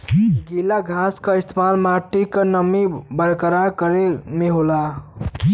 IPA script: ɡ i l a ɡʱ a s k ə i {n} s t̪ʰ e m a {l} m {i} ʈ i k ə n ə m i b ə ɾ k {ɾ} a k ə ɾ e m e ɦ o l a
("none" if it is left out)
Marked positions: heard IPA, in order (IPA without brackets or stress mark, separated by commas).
none, l, a, ɾ